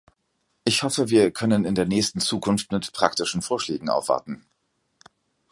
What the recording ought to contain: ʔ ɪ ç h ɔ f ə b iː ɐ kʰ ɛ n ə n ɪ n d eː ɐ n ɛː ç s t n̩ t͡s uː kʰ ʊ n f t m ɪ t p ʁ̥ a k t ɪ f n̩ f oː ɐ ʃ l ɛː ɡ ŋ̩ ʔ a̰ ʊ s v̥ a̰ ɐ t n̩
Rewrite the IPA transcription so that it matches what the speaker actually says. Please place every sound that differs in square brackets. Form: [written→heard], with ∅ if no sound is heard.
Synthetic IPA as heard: ʔ ɪ ç h ɔ f ə [b→v] iː ɐ kʰ [ɛ→œ] n ə n ɪ n d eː ɐ n ɛː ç s t n̩ t͡s uː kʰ ʊ n f t m ɪ t p ʁ̥ a k t ɪ [f→ʃ] n̩ f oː ɐ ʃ l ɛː ɡ ŋ̩ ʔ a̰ ʊ [s→f] v̥ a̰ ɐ t n̩